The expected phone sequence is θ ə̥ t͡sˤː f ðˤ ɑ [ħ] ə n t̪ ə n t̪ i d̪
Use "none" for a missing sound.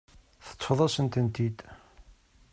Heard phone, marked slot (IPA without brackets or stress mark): s